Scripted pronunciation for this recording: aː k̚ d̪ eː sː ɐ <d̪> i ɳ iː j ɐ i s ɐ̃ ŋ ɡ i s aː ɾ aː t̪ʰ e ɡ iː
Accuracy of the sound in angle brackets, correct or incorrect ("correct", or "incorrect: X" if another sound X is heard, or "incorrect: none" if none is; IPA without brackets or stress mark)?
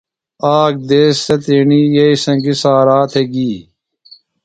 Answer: incorrect: t̪